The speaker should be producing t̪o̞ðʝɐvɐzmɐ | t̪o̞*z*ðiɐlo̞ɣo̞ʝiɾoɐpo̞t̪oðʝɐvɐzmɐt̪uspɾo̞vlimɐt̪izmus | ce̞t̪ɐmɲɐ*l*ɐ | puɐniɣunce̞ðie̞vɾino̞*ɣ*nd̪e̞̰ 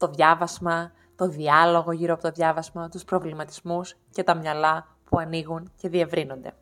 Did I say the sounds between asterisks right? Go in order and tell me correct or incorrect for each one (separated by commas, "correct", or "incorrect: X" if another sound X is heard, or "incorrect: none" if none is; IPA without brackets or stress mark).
incorrect: none, correct, incorrect: none